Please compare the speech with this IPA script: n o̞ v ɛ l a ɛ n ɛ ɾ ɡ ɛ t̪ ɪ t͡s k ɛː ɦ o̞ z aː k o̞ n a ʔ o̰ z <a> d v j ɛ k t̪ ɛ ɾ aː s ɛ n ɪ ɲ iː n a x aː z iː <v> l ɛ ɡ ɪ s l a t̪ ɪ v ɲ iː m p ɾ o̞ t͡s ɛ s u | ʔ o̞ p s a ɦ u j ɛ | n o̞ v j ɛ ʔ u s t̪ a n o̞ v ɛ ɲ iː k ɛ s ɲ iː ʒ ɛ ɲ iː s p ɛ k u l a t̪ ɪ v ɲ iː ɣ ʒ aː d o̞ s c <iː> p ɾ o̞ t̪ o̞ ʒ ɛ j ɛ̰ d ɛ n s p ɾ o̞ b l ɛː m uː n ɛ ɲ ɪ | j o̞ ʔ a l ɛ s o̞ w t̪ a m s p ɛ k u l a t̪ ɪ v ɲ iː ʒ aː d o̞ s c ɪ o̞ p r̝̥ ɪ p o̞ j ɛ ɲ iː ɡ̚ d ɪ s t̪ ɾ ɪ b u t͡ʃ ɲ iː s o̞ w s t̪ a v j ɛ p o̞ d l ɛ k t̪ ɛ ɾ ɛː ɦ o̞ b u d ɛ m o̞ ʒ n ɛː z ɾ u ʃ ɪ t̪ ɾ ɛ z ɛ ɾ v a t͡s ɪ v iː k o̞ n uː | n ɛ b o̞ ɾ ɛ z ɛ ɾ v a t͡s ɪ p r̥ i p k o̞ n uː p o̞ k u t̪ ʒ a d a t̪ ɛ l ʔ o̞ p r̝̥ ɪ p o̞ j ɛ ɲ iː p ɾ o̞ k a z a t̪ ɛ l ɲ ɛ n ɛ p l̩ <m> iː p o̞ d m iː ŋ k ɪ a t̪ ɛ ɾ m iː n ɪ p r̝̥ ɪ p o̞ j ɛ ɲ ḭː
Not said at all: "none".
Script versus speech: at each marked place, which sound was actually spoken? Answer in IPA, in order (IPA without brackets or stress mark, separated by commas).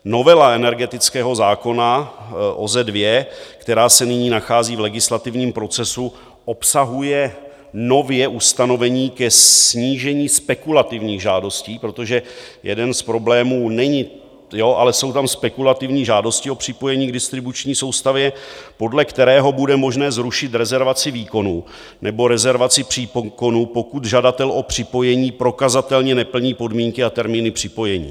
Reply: ɛ, v, iː, ɲ